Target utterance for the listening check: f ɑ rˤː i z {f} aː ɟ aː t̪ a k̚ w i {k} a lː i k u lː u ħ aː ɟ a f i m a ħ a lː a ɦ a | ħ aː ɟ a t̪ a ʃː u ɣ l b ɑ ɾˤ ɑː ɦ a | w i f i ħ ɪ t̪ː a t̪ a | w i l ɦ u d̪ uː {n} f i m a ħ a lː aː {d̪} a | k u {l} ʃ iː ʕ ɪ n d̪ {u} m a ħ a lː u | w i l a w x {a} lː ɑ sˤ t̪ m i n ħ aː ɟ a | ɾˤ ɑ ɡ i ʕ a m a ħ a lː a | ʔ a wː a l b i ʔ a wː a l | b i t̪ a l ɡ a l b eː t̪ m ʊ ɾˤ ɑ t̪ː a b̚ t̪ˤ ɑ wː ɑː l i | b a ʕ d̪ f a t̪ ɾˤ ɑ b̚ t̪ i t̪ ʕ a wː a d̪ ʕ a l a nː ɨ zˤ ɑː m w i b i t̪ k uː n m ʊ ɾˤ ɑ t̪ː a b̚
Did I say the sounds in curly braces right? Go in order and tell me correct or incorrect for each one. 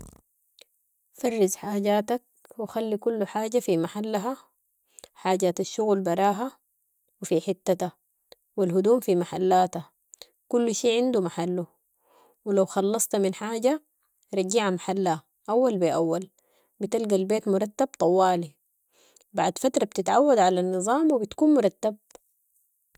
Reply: incorrect: ħ, incorrect: x, incorrect: m, incorrect: t̪, incorrect: lː, correct, incorrect: ɑ

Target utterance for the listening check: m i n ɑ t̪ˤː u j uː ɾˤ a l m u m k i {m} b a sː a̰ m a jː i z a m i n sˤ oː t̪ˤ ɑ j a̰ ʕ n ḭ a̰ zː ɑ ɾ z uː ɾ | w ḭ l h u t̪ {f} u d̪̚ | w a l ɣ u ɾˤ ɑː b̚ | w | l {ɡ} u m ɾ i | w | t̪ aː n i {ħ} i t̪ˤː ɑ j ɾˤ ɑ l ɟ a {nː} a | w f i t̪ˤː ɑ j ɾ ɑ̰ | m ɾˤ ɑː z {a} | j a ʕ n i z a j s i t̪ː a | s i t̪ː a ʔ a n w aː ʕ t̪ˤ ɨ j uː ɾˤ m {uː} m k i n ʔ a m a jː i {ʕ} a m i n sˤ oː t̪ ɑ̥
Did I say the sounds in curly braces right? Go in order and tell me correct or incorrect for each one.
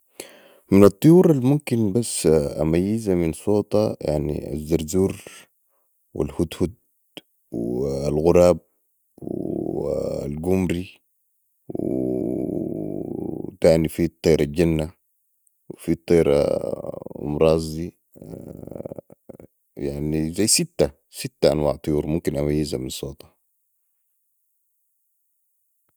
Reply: incorrect: n, incorrect: h, correct, incorrect: f, correct, incorrect: i, incorrect: u, incorrect: z

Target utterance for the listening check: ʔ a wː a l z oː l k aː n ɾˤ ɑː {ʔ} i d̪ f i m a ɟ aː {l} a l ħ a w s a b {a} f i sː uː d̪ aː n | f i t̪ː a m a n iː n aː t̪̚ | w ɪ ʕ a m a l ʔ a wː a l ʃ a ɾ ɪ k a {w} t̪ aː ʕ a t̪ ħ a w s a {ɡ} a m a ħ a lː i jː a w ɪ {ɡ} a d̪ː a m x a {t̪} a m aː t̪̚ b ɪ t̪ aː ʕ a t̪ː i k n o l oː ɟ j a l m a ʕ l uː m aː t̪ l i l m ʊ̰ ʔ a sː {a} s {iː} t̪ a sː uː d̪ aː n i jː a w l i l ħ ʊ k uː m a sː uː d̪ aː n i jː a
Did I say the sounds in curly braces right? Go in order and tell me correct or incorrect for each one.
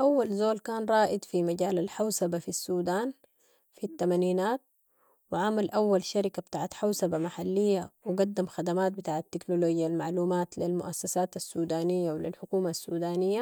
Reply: correct, correct, correct, incorrect: b, incorrect: b, correct, incorrect: d̪, correct, incorrect: aː

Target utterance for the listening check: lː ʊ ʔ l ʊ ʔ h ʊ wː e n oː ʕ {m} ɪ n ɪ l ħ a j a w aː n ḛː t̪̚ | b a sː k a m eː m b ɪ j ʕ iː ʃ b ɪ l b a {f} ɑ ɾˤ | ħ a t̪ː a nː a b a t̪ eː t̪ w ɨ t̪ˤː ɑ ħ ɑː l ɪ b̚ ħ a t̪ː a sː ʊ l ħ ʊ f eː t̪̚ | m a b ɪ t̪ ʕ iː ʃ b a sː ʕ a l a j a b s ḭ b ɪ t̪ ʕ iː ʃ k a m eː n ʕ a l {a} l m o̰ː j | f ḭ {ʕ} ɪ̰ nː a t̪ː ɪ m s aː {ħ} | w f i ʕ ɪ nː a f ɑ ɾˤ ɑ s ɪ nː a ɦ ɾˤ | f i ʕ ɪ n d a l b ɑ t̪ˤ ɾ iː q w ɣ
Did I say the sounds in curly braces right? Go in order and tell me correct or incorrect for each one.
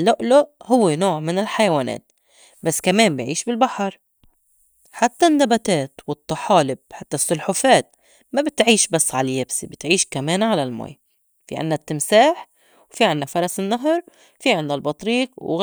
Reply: correct, incorrect: ħ, correct, correct, correct

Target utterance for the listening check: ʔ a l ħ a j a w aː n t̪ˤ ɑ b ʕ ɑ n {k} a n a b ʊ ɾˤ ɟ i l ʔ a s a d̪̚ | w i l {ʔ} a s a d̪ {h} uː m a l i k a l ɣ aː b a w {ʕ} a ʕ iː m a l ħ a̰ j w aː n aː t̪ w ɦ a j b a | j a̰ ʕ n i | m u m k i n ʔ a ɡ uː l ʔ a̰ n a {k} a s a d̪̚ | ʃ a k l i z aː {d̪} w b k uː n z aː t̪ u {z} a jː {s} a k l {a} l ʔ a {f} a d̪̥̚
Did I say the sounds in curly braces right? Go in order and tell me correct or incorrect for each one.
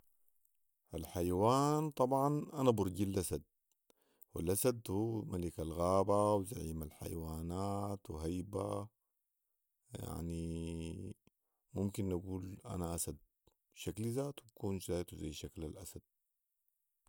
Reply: incorrect: ʔ, correct, correct, incorrect: z, incorrect: ʔ, incorrect: t̪, correct, incorrect: ʃ, correct, incorrect: s

